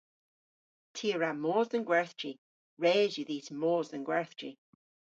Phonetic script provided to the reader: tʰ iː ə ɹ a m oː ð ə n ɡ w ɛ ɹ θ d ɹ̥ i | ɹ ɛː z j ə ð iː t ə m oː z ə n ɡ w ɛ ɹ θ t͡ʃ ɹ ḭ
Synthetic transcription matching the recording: tʰ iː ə ɹ a m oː z ə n ɡ w ɛ ɹ θ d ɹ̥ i | ɹ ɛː z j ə ð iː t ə m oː z ə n ɡ w ɛ ɹ θ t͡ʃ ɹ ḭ

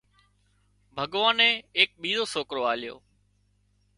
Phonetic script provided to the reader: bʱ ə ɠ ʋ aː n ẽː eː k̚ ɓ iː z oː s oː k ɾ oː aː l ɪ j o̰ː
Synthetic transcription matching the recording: bʱ ə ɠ ʋ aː n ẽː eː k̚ ɓ iː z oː s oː k ɾ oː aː l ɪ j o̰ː

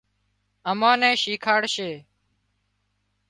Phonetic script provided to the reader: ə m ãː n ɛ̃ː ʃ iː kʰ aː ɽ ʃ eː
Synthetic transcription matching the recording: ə m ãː n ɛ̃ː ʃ iː kʰ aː ɽ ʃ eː

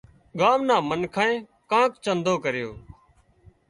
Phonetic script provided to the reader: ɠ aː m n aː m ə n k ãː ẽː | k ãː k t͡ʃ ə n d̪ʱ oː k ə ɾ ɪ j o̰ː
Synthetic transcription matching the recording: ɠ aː m n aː m ə n kʰ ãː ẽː | k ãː k t͡ʃ ə n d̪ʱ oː k ə ɾ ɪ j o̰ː

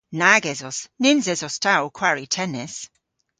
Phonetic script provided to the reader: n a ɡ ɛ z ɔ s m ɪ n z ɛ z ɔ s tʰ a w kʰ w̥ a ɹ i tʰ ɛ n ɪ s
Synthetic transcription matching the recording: n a ɡ ɛ z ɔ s n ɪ n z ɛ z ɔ s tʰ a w kʰ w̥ a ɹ i tʰ ɛ n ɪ s

